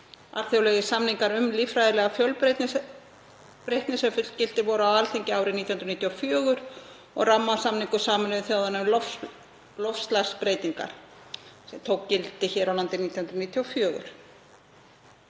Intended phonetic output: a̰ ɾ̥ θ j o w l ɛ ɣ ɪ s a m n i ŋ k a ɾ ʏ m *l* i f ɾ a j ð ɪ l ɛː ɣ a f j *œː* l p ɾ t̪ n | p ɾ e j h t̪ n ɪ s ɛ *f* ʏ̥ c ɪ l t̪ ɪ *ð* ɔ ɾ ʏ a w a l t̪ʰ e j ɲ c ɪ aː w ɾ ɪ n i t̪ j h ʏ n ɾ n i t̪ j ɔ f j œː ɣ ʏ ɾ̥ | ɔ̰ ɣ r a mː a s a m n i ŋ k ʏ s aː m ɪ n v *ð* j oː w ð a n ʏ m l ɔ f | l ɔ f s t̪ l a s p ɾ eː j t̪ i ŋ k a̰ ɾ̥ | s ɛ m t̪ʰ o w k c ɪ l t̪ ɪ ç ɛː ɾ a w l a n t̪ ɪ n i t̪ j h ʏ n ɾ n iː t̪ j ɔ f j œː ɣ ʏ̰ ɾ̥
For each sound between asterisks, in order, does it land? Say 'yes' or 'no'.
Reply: yes, no, yes, no, no

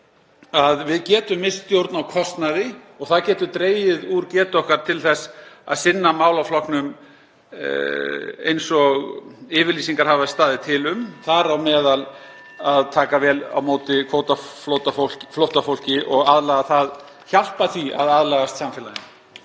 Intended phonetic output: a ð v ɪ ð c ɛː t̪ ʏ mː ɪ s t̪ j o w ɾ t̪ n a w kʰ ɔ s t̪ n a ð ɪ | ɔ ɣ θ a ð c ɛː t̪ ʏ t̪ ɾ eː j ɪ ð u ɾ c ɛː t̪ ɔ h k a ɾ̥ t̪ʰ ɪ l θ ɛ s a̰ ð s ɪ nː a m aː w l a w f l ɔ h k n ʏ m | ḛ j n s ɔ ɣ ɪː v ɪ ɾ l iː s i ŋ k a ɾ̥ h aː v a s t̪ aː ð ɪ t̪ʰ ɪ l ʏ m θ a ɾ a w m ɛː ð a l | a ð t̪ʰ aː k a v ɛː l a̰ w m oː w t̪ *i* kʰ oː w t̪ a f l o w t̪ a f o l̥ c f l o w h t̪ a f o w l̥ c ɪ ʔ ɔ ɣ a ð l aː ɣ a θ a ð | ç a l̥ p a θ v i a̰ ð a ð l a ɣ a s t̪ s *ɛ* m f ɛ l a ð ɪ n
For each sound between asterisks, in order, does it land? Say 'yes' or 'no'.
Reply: no, no

